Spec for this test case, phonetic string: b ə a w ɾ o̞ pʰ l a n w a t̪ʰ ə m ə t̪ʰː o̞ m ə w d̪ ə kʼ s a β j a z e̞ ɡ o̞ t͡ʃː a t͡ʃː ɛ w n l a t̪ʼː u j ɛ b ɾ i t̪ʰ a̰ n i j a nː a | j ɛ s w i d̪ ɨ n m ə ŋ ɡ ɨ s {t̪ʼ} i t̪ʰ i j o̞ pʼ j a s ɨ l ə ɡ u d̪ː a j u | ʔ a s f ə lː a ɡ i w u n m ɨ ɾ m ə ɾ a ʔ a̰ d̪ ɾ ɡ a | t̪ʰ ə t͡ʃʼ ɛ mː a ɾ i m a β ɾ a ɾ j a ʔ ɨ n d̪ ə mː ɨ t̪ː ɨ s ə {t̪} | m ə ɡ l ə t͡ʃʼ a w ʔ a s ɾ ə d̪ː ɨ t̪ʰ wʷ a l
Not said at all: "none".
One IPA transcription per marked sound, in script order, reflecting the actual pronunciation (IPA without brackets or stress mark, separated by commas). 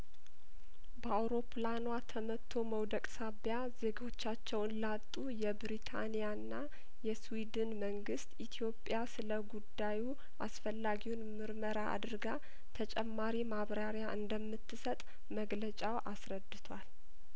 t̪, t̪ʼ